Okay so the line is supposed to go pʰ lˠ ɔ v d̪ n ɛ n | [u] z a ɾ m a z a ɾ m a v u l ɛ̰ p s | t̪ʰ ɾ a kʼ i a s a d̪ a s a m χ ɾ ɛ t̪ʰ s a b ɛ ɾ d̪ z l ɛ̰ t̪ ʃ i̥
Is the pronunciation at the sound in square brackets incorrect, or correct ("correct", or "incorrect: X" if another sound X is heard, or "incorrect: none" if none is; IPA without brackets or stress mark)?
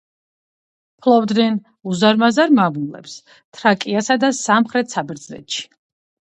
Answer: correct